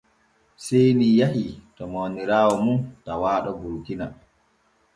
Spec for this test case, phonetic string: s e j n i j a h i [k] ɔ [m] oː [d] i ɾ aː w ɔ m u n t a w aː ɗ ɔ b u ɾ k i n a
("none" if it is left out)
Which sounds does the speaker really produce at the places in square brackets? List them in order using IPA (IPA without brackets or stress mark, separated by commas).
t, m, n